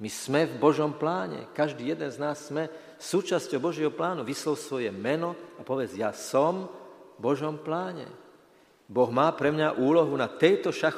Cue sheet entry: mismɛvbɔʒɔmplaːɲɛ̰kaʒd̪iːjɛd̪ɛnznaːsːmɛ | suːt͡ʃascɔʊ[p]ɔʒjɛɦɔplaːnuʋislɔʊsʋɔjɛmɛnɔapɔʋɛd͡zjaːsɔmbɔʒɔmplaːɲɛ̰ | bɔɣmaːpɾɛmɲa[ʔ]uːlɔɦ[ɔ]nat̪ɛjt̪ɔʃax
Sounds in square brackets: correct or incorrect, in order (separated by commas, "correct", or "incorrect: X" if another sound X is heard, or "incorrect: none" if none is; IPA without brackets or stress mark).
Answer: incorrect: b, correct, incorrect: u